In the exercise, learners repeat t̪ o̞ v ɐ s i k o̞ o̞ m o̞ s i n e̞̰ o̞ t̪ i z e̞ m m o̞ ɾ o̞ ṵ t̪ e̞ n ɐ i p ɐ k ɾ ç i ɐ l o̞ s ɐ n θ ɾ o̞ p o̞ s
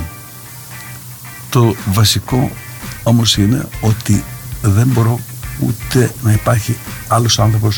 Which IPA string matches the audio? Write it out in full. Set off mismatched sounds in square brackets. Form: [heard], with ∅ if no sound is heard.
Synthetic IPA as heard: t̪ o̞ v ɐ s i k o̞ o̞ m o̞ s i n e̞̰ o̞ t̪ i [ð] e̞ m [b] o̞ ɾ o̞ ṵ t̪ e̞ n ɐ i p ɐ [∅] ɾ ç i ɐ l o̞ s ɐ n θ ɾ o̞ p o̞ s